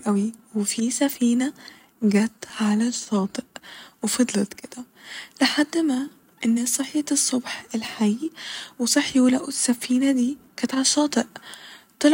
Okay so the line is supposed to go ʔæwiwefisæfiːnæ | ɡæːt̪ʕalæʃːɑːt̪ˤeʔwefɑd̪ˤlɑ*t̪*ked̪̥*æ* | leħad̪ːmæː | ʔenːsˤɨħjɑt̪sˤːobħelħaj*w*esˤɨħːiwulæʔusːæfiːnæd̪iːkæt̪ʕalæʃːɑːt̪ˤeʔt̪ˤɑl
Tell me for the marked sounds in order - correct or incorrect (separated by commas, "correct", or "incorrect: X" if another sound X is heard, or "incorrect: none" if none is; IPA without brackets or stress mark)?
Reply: correct, correct, correct